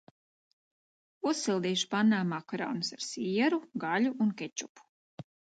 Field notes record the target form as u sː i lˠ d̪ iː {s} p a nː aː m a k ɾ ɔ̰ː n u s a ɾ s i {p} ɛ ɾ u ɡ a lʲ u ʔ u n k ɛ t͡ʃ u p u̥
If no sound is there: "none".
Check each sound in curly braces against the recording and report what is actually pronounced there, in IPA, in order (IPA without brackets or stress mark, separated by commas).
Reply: ʃ, none